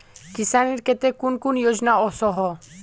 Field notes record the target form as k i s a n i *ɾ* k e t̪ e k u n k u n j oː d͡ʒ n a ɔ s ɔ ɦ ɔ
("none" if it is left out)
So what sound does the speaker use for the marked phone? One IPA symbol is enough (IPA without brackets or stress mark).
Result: ɾ